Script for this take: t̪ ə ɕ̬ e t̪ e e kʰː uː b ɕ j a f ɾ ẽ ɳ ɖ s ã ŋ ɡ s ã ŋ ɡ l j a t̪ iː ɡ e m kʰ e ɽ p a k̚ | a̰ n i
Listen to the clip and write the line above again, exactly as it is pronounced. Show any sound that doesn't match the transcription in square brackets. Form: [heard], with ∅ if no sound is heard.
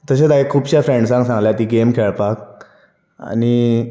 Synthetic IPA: t̪ ə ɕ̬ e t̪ [a] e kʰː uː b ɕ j a f ɾ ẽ ɳ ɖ s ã ŋ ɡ s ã ŋ ɡ l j a t̪ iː ɡ e m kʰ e [ɭ] p a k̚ | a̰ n i